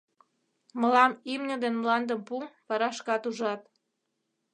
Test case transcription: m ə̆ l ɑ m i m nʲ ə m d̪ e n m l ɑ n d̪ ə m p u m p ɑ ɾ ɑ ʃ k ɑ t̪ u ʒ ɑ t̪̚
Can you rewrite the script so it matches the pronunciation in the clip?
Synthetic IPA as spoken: m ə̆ l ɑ m i m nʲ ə d̪ e n m l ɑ n d̪ ə m p u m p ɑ ɾ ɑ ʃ k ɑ t̪ u ʒ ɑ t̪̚